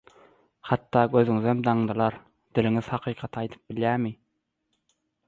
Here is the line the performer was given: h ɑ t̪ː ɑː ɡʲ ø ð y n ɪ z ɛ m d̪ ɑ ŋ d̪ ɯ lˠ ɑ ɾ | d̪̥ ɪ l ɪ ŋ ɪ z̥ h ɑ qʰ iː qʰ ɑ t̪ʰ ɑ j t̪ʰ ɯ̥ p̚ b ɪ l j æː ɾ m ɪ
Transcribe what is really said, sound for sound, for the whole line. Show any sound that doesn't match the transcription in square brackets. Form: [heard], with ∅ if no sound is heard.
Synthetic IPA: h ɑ t̪ː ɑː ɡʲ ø [z] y [ŋ] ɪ z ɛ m d̪ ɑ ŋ d̪ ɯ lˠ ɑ ɾ | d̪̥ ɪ l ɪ ŋ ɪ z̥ h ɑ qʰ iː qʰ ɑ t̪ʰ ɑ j t̪ʰ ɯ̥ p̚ b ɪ l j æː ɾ m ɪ